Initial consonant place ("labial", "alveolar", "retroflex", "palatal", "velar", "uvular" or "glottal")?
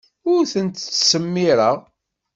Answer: alveolar